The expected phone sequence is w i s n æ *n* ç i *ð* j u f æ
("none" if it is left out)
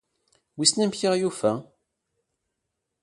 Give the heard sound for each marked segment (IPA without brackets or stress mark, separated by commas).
m, ʁ